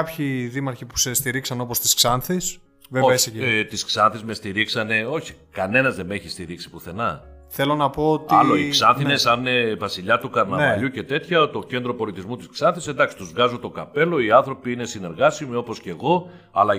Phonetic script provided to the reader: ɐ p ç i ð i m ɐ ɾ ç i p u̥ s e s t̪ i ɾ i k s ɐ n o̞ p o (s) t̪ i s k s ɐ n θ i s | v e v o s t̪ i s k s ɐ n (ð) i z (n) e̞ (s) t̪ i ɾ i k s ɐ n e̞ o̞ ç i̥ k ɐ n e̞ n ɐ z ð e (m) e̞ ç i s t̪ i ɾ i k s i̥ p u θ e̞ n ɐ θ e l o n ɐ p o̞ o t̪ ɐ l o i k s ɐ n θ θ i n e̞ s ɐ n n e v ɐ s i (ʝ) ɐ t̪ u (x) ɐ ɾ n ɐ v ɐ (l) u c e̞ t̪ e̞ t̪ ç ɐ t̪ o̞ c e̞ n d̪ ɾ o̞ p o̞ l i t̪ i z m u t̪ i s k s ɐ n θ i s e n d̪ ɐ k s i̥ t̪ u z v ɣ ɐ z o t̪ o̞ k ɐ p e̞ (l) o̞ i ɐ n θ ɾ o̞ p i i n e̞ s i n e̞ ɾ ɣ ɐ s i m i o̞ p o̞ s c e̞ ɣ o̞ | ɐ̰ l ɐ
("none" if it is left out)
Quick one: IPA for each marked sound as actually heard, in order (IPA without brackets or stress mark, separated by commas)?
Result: s, θ, m, s, m, ʎ, k, ʎ, l